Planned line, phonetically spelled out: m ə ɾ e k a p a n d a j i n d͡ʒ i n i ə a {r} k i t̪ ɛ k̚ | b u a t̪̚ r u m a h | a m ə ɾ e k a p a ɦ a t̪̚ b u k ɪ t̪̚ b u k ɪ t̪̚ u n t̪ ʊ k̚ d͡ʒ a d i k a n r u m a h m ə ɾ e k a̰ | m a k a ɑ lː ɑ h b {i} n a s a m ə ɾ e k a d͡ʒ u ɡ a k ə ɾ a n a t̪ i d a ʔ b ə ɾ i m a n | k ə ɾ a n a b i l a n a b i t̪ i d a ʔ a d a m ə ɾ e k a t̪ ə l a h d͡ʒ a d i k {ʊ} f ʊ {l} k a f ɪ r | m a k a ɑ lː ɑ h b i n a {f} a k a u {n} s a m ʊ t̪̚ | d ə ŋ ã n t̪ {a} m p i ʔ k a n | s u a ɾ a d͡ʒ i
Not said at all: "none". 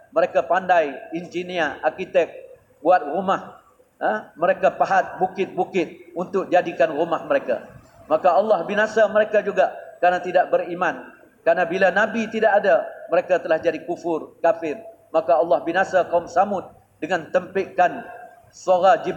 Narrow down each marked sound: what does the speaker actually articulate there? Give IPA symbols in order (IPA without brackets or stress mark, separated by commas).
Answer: r, i, u, r, s, m, ə